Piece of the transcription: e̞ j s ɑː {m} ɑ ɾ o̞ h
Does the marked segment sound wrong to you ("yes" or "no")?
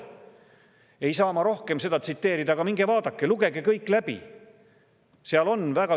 no